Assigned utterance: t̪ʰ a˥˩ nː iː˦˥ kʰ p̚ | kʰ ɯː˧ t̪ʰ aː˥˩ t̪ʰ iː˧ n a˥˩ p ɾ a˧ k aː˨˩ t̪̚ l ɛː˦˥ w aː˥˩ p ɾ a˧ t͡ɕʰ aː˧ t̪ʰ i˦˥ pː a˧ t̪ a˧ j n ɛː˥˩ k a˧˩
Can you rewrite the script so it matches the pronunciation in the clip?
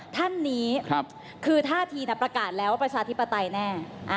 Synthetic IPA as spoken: t̪ʰ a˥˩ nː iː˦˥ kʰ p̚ | kʰ ɯː˧ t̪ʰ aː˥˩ t̪ʰ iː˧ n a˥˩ p ɾ a˧ k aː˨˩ t̪̚ l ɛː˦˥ w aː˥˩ p ɾ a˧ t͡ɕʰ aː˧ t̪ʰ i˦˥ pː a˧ t̪ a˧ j n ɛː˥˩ ʔ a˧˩